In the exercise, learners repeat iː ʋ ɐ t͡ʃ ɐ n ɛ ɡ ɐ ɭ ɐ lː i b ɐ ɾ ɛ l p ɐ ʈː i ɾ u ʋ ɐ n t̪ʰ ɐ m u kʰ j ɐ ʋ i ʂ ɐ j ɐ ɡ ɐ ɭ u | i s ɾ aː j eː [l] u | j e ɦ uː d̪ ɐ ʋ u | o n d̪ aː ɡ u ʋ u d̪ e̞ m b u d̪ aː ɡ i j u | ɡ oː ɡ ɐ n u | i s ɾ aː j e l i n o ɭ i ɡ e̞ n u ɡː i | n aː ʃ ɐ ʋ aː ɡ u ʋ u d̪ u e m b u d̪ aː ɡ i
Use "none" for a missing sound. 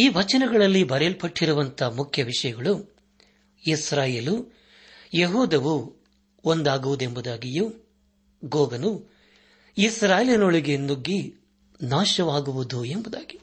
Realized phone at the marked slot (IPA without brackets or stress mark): l